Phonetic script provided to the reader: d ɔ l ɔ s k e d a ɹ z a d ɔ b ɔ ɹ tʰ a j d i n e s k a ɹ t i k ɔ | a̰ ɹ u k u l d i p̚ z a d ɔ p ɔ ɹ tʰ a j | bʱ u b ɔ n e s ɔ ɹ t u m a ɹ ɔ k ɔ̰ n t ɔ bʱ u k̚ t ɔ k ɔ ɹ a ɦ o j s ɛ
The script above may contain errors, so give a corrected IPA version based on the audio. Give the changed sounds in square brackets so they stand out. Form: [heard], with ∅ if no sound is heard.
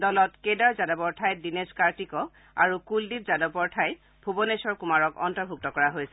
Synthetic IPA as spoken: d ɔ l ɔ [t] k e d a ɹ z a d ɔ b ɔ ɹ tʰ a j d i n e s k a ɹ t i k ɔ | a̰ ɹ u k u l d i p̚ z a d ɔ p ɔ ɹ tʰ a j | bʱ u b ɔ n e s ɔ ɹ [k] u m a ɹ ɔ k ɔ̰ n t ɔ bʱ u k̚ t ɔ k ɔ ɹ a ɦ o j s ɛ